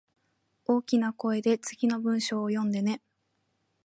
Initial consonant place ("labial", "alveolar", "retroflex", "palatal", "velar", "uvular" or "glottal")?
velar